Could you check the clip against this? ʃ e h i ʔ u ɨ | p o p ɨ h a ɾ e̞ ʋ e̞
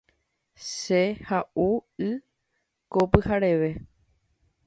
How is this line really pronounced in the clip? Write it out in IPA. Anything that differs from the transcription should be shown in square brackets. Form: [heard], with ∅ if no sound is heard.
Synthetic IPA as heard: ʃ e h [a] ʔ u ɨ | [k] o p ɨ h a ɾ e̞ ʋ e̞